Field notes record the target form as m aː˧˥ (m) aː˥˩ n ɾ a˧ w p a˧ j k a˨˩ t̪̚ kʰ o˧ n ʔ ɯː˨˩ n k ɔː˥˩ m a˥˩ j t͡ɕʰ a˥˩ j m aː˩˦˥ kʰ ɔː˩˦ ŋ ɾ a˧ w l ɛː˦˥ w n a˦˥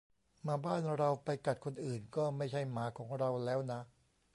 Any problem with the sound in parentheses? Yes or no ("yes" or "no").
yes